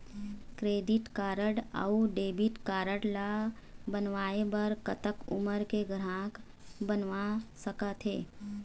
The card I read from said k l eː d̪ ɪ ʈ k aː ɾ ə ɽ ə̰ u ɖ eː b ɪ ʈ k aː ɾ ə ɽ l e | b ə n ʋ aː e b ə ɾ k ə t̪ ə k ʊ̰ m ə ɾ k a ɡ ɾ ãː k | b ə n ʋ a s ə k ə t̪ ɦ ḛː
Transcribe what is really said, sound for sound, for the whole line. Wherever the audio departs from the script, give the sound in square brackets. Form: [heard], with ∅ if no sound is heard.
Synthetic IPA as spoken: k [ɾ] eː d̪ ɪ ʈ k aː ɾ ə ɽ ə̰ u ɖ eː b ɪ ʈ k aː ɾ ə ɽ l [a] | b ə n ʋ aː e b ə ɾ k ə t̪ ə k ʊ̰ m ə ɾ k [e] ɡ ɾ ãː k | b ə n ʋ a s ə k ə t̪ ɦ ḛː